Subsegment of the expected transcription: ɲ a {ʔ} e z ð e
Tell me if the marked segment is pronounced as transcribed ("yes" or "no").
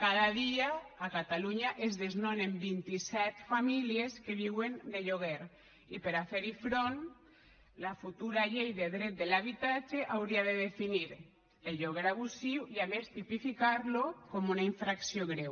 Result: yes